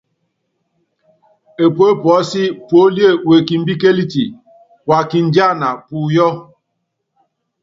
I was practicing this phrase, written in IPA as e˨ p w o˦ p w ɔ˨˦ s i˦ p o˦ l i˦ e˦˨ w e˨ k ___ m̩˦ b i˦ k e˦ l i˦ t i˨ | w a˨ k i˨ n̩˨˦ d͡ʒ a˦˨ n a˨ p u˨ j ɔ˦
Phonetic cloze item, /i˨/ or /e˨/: i˨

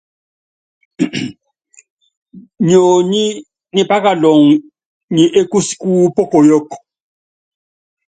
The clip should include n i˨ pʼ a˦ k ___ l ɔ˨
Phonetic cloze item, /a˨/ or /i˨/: a˨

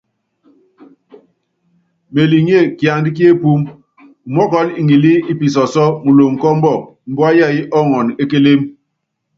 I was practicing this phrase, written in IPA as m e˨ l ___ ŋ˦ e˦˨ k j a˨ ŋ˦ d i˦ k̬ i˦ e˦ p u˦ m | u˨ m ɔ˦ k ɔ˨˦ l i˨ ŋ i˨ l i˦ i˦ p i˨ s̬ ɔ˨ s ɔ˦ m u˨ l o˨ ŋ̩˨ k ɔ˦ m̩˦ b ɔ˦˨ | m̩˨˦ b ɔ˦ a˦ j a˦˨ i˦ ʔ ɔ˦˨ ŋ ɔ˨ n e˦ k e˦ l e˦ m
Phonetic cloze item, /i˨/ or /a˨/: i˨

